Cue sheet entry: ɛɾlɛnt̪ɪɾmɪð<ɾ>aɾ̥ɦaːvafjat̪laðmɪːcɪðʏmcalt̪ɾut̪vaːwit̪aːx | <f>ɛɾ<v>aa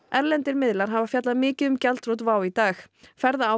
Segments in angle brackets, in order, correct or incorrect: incorrect, correct, incorrect

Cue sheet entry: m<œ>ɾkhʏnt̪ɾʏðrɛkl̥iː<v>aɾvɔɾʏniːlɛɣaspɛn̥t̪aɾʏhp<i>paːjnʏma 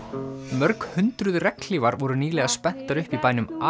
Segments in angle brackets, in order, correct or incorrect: correct, correct, correct

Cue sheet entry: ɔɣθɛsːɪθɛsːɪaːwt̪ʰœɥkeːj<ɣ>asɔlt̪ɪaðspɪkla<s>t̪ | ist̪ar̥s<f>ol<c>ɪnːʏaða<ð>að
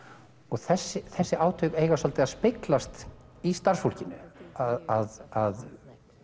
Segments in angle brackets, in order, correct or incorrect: correct, correct, correct, correct, correct

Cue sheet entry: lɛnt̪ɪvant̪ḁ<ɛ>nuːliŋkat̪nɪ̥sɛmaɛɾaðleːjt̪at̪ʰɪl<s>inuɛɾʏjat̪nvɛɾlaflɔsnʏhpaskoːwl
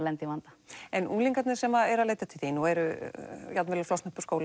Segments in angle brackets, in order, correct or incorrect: correct, incorrect

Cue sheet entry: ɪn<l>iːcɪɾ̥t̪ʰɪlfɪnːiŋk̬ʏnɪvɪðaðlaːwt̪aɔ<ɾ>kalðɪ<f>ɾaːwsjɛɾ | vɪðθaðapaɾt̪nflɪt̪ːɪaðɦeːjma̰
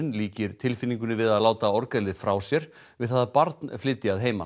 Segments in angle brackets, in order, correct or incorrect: correct, correct, correct

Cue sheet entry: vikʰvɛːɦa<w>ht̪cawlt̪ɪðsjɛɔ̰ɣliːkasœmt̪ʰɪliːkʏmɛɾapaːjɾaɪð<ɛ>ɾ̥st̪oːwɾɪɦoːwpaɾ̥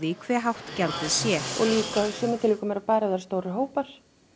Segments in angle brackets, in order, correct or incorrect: correct, incorrect

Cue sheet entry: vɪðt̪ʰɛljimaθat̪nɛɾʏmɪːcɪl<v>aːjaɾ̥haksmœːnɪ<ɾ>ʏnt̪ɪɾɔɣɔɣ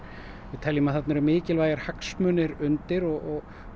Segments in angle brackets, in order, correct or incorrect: correct, correct

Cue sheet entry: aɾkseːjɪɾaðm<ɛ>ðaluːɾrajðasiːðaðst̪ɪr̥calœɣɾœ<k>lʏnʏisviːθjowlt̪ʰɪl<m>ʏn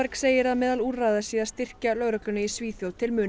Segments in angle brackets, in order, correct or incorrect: incorrect, correct, correct

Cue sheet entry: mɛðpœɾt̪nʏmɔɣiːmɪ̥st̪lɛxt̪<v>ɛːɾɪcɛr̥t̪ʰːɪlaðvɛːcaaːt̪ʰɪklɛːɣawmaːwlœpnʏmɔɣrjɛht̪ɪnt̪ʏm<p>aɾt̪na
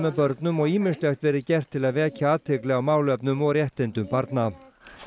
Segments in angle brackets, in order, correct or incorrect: correct, correct

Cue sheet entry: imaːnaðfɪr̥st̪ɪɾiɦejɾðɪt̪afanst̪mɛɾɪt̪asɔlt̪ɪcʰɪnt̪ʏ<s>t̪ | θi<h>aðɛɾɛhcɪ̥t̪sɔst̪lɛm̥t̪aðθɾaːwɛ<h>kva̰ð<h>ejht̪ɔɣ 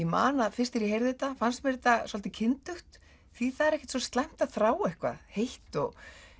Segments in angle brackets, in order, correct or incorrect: incorrect, incorrect, correct, correct

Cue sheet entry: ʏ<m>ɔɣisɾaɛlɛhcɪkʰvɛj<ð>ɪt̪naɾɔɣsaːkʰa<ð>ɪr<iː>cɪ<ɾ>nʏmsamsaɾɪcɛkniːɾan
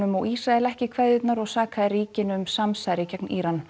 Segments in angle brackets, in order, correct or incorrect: correct, correct, correct, correct, incorrect

